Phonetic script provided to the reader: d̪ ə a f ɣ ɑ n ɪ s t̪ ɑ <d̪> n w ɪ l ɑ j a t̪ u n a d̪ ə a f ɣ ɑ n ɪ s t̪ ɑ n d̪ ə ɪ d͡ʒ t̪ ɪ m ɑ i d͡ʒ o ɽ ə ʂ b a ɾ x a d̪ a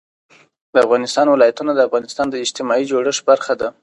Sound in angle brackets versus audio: incorrect: none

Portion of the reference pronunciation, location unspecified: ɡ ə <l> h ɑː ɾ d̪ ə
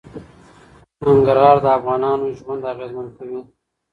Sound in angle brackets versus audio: incorrect: ɾ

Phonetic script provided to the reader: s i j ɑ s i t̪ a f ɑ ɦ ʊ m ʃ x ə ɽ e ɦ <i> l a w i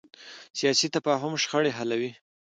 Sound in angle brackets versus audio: incorrect: a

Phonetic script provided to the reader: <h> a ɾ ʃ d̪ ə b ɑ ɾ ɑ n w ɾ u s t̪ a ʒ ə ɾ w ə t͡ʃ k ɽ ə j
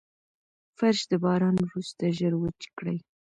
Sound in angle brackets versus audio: incorrect: f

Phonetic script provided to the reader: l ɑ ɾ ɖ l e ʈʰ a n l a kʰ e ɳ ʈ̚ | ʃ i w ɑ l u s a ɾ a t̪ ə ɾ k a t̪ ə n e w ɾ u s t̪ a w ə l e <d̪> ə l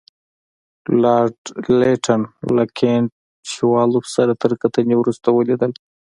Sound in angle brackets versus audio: correct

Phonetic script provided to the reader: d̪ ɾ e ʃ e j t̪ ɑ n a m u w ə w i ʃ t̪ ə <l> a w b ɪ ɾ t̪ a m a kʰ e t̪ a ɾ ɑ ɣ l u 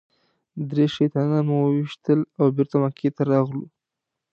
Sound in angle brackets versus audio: correct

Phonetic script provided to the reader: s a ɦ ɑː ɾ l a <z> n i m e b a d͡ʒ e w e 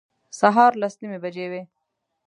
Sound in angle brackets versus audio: incorrect: s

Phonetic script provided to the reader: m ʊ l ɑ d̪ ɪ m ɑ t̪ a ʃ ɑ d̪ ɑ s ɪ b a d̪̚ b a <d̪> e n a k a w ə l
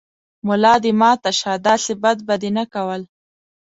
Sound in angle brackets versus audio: correct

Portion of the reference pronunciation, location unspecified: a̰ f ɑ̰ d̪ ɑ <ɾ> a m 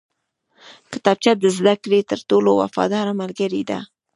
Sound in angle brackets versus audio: correct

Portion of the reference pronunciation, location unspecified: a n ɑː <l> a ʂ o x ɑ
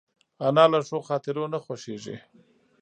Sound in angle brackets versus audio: correct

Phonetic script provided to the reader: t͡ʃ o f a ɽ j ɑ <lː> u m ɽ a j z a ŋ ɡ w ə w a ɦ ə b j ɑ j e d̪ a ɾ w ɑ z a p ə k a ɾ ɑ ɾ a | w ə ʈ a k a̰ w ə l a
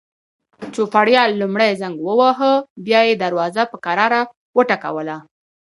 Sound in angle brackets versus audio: correct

